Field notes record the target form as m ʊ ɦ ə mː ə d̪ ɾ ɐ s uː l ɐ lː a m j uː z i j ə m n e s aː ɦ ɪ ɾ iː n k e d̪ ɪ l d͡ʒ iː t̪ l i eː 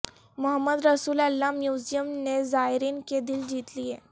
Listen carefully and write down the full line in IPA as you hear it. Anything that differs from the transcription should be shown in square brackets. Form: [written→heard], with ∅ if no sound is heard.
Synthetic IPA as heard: m ʊ ɦ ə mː ə d̪ ɾ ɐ s uː l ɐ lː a m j uː z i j ə m n e [s→z] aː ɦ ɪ ɾ iː n k e d̪ ɪ l d͡ʒ iː t̪ l i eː